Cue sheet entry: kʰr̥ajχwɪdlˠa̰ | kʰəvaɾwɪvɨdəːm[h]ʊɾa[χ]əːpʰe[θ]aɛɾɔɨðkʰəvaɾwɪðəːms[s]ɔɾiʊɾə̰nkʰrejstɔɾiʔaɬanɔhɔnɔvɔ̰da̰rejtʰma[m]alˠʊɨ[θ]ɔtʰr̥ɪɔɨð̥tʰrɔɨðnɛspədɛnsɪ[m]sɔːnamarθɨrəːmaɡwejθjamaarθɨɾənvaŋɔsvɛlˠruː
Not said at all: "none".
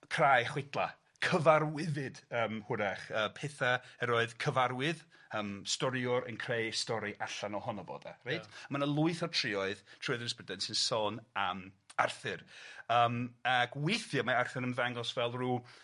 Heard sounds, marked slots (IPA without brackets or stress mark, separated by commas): h, χ, θ, t, n, θ, n